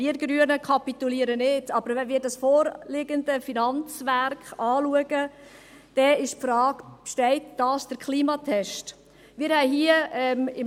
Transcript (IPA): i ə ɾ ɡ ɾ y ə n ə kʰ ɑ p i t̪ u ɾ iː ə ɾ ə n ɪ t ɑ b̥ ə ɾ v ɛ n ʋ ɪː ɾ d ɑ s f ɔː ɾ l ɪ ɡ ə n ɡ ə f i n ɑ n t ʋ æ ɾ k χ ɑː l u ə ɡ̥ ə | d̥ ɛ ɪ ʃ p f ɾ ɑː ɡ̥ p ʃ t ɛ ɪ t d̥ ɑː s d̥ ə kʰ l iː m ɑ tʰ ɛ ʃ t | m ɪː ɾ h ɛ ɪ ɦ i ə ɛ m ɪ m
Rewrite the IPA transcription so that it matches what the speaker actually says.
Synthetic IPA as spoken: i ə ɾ ɡ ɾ y ə n ə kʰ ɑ p i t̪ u l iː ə ɾ ə n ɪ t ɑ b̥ ə ɾ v ɛ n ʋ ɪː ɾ d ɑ s f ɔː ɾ l ɪ ɡ ə n d ə f i n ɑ n t͡s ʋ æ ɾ k χ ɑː l u ə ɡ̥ ə | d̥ ɛ ɪ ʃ p f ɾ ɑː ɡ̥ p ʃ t ɛ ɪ t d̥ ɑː s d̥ ə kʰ l iː m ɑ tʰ ɛ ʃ t | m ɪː ɾ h ɛ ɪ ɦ i ə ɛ m ɪ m

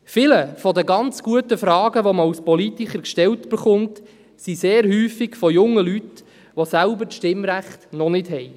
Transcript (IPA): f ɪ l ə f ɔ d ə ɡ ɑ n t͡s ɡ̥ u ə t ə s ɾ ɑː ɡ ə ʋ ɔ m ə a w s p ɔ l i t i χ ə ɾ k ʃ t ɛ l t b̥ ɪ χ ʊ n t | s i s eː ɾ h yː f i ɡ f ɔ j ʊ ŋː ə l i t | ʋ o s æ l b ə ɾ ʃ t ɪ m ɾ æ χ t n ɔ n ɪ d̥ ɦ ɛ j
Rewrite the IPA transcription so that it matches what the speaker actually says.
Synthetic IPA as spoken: f ɪ l ə f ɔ d ə ɡ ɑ n t͡s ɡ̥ u ə t ə f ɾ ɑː ɡ ə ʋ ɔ m ə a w s p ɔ l i t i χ ə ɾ k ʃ t ɛ l t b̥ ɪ χ ʊ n t | s i s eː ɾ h yː f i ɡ f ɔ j ʊ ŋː ə l y t | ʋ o s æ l b ə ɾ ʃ t ɪ m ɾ æ χ t n ɔ n ɪ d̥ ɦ ɛ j

